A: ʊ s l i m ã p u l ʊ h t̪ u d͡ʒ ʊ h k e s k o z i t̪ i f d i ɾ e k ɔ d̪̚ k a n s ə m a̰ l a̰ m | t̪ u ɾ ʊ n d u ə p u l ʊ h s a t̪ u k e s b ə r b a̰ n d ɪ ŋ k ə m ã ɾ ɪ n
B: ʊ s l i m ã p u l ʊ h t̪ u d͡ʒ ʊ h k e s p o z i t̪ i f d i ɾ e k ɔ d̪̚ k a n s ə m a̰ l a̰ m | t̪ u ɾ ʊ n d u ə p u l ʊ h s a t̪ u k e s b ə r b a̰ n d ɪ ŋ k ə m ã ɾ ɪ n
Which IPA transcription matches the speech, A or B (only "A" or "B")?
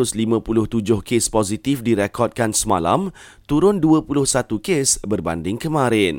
B